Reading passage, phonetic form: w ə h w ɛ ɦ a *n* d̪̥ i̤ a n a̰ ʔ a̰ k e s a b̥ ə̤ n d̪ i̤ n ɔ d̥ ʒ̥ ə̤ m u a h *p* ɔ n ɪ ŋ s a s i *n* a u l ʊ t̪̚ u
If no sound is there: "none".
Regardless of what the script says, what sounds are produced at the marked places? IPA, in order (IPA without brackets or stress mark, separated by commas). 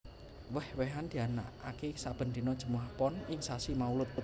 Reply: n, p, m